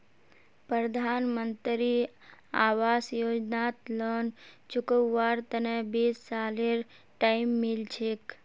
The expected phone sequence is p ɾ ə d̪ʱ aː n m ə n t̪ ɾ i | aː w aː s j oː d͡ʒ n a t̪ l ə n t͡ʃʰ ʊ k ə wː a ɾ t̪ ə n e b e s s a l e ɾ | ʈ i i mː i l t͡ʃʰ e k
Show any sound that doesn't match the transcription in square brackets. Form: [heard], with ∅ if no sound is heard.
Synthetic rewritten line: p ɾ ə d̪ʱ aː n m ə n t̪ ɾ i | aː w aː s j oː d͡ʒ n a t̪ l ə n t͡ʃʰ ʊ k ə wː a ɾ t̪ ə n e b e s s a l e ɾ | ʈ [a] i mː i l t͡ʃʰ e k